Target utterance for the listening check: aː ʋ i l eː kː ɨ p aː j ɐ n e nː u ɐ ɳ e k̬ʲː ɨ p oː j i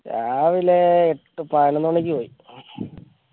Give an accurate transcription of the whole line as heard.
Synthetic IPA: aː ʋ i l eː ʈː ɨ p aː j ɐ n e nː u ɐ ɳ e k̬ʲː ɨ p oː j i